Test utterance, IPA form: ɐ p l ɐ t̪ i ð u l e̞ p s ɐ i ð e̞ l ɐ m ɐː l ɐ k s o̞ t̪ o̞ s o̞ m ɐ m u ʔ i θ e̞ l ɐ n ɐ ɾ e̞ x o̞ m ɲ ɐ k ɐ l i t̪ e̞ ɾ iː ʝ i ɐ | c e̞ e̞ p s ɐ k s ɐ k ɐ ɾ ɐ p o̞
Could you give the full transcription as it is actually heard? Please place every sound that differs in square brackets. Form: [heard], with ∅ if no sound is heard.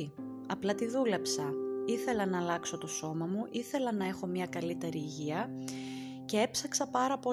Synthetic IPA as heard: ɐ p l ɐ t̪ i ð u l e̞ p s ɐ i [θ] e̞ l ɐ [n] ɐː l ɐ k s o̞ t̪ o̞ s o̞ m ɐ m u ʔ i θ e̞ l ɐ n ɐ [∅] e̞ x o̞ m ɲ ɐ k ɐ l i t̪ e̞ ɾ iː ʝ i ɐ | c e̞ e̞ p s ɐ k s ɐ [p] ɐ ɾ ɐ p o̞